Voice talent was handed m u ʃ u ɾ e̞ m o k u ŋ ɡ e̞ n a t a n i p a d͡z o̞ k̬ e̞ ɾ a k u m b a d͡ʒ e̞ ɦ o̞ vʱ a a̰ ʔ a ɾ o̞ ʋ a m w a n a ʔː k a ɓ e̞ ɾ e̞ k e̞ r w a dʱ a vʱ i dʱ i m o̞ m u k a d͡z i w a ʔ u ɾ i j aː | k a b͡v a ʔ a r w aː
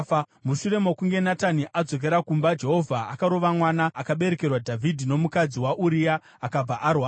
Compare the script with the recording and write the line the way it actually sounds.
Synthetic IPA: m u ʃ u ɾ e̞ m o k u ŋ ɡ e̞ n a t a n i ʔ a d͡z o̞ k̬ e̞ ɾ a k u m b a d͡ʒ e̞ ɦ o̞ vʱ a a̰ k a ɾ o̞ ʋ a m w a n a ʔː k a ɓ e̞ ɾ e̞ k e̞ r w a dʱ a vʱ i dʱ i n o̞ m u k a d͡z i w a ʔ u ɾ i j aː | k a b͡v a ʔ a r w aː